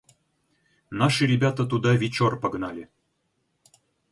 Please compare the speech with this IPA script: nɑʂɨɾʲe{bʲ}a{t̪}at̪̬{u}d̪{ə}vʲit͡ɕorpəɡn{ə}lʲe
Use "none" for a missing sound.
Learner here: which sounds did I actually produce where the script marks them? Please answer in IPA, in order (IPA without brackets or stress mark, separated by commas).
bʲ, t̪, u, ɑ, ɑ